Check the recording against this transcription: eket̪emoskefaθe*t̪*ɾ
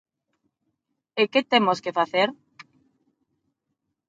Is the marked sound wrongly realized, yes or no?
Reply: yes